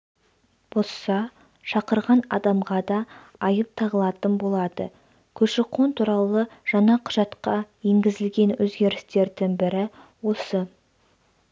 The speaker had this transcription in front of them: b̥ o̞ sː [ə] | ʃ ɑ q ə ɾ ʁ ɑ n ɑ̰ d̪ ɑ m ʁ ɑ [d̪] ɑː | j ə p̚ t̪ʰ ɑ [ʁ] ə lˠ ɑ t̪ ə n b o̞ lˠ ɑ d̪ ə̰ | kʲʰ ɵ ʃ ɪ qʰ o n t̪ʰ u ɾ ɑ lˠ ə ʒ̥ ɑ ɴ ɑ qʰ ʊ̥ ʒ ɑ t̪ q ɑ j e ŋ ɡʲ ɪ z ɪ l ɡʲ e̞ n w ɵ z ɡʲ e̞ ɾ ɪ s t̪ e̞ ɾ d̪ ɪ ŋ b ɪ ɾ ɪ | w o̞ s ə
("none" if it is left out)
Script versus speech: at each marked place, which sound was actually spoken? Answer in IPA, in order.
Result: ɑ, d̪, ʁ

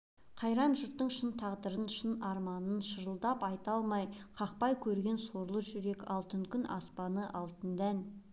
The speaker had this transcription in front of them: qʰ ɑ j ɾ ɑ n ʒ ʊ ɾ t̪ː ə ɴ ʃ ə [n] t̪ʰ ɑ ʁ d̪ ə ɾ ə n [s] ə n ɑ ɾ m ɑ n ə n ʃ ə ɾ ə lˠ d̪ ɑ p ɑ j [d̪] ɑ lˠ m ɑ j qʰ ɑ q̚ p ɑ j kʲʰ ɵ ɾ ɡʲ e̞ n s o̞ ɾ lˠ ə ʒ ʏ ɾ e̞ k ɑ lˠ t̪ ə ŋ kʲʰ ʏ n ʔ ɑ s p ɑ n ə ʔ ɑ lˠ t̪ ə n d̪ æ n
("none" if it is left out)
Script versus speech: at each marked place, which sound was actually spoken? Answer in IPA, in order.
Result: n, ʃ, t̪

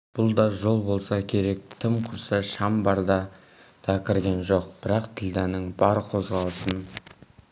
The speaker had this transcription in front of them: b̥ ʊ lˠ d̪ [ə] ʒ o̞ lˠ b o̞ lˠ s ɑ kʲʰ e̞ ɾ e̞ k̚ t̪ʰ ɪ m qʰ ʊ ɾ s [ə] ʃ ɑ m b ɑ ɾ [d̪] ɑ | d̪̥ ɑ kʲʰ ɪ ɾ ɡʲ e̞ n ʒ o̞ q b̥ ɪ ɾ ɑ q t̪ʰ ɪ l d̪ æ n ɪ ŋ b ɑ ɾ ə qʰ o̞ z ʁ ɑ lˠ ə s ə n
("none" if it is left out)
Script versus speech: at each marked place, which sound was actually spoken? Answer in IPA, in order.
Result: ɑ, ɑ, d̪

